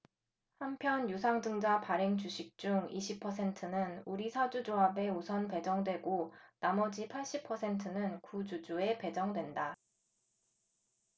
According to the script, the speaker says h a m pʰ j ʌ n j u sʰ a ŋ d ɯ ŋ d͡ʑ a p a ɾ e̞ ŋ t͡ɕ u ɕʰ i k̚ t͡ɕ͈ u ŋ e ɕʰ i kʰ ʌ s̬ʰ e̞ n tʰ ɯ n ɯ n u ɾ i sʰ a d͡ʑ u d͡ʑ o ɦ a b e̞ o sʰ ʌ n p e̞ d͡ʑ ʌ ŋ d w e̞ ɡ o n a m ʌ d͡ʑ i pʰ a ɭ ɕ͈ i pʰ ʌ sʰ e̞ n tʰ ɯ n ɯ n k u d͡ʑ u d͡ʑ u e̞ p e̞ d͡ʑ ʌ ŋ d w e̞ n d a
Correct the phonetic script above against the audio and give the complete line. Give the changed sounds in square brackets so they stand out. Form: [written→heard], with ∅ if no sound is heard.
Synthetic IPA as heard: h a m pʰ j ʌ n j u sʰ a ŋ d ɯ ŋ d͡ʑ a p a ɾ e̞ ŋ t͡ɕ u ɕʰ i k̚ t͡ɕ͈ u ŋ [e→i] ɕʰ i [kʰ→pʰ] ʌ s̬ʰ e̞ n tʰ ɯ n ɯ n u ɾ i sʰ a d͡ʑ u d͡ʑ o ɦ a b e̞ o sʰ ʌ n p e̞ d͡ʑ ʌ ŋ d w e̞ ɡ o n a m ʌ d͡ʑ i pʰ a ɭ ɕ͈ i pʰ ʌ sʰ e̞ n tʰ ɯ n ɯ n k u d͡ʑ u d͡ʑ u e̞ p e̞ d͡ʑ ʌ ŋ d w e̞ n d a